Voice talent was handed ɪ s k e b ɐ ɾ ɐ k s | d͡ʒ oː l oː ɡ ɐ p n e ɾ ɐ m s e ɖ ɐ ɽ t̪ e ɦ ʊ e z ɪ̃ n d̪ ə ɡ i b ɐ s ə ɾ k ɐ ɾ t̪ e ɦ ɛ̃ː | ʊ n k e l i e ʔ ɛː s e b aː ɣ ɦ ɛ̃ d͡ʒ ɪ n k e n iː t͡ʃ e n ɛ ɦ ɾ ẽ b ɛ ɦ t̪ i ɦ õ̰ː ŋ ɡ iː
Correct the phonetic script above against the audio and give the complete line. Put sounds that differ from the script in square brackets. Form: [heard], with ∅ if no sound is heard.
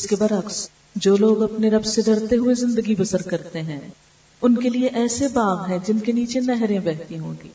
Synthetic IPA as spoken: ɪ s k e b ɐ ɾ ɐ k s | d͡ʒ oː l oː ɡ ɐ p n e ɾ ɐ [b] s e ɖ ɐ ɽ t̪ e ɦ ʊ e z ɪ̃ n d̪ ə ɡ i b ɐ s ə ɾ k ɐ ɾ t̪ e ɦ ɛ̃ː | ʊ n k e l i e ʔ ɛː s e b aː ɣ ɦ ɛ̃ d͡ʒ ɪ n k e n iː t͡ʃ e n ɛ ɦ ɾ ẽ b ɛ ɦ t̪ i ɦ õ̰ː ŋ ɡ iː